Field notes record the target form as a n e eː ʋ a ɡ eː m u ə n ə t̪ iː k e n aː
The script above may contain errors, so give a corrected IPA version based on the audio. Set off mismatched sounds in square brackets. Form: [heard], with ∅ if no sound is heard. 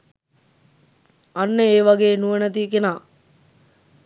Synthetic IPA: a [nː] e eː ʋ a ɡ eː [n] u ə n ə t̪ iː k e n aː